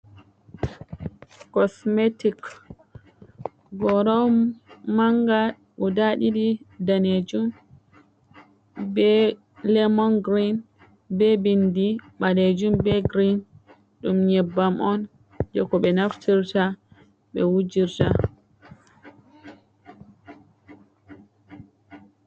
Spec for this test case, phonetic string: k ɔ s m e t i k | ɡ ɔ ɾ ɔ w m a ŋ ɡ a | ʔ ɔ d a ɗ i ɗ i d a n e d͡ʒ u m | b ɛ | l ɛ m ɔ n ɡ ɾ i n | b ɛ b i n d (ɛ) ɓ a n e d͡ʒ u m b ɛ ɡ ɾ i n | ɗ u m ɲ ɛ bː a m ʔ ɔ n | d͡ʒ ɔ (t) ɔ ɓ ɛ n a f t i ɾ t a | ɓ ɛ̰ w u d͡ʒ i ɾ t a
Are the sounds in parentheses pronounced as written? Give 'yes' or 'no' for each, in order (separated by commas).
no, no